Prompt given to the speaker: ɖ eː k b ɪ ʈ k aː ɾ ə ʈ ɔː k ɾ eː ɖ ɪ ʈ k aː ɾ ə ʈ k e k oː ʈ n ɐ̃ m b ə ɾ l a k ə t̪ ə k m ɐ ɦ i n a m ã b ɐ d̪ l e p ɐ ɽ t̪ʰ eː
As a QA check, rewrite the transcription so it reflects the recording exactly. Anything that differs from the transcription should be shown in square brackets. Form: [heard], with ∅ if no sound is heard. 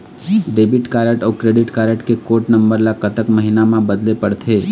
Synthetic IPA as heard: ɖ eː [∅] b ɪ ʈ k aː ɾ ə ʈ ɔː k ɾ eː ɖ ɪ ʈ k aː ɾ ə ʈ k e k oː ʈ n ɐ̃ m b ə ɾ l a k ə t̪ ə k m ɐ ɦ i n a m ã b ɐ d̪ l e p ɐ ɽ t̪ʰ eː